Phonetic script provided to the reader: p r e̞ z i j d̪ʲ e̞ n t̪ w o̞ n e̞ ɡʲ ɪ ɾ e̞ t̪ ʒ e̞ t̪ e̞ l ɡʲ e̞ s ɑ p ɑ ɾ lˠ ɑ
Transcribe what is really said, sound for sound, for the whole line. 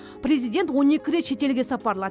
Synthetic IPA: p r e̞ z i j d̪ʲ e̞ n t̪ w o̞ n e̞ kʲ ɪ ɾ e̞ t̪ ʃ e̞ t̪ e̞ l ɡʲ e̞ s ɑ p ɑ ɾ lˠ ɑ

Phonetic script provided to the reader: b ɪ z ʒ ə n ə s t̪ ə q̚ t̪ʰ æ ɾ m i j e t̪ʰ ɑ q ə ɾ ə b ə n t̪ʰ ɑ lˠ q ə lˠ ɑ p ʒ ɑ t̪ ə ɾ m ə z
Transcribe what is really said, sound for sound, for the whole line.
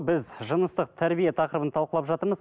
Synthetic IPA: b ɪ z ʒ ə n ə s t̪ ə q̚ t̪ʰ æ ɾ b i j e t̪ʰ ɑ q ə ɾ ə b ə n t̪ʰ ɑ lˠ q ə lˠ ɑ p ʒ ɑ t̪ ə ɾ m ə z

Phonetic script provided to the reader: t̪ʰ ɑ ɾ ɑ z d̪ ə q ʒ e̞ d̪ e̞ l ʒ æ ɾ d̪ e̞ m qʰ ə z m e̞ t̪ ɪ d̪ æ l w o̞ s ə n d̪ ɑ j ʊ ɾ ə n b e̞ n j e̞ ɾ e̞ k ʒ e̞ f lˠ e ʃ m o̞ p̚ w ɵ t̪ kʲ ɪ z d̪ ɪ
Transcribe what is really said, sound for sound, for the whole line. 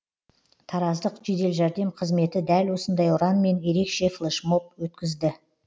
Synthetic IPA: t̪ʰ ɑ ɾ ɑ z d̪ ə q ʒ e̞ d̪ e̞ l ʒ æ ɾ d̪ e̞ m qʰ ə z m e̞ t̪ ɪ d̪ æ l w o̞ s ə n d̪ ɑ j ʊ ɾ ɑ n m e̞ n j e̞ ɾ e̞ k ʃ e̞ f lˠ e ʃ m o̞ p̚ w ɵ t̪ kʲ ɪ z d̪ ɪ

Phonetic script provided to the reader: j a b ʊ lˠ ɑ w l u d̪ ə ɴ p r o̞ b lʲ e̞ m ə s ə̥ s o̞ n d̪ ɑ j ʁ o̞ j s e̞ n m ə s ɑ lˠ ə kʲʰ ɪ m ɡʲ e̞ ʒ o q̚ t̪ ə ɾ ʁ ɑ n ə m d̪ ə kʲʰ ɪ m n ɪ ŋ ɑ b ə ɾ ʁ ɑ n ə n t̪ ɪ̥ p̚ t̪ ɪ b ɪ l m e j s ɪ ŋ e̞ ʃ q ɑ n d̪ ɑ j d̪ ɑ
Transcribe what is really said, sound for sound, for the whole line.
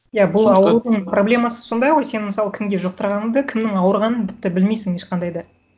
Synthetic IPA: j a b ʊ lˠ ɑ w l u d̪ ə ɴ p r o̞ b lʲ e̞ m ɑ s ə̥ s o̞ n d̪ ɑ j ʁ o̞ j s e̞ n m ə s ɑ lˠ ə kʲʰ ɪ m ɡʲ e̞ ʒ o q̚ t̪ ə ɾ ʁ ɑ n ə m d̪ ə kʲʰ ɪ m n ɪ ŋ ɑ w ə ɾ ʁ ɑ n ə n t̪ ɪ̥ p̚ t̪ ɪ b ɪ l m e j s ɪ ŋ e̞ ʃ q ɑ n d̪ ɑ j d̪ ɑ

